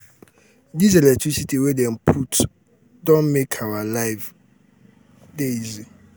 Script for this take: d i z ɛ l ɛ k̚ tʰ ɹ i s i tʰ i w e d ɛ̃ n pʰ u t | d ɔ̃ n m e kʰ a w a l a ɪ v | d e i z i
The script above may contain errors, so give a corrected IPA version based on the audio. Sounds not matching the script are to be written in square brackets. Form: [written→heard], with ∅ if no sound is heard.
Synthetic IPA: d i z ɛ l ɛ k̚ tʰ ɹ i s i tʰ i w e d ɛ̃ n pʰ u t | d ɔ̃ n m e kʰ a w a l a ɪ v | d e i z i